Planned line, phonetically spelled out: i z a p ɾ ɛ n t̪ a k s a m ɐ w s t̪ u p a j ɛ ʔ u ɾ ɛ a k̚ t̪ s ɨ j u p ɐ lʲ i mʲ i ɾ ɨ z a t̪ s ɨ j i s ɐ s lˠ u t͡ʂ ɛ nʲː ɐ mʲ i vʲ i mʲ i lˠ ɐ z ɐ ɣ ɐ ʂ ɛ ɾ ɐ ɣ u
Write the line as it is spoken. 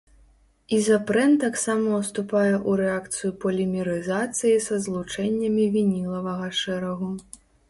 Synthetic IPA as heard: i z a p ɾ ɛ n t̪ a k s a m ɐ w s t̪ u p a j ɛ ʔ u ɾ ɛ a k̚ t̪ s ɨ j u p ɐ lʲ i mʲ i ɾ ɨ z a t̪ s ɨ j i s ɐ z lˠ u t͡ʂ ɛ nʲː ɐ mʲ i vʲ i nʲ i lˠ ɐ v ɐ ɣ ɐ ʂ ɛ ɾ ɐ ɣ u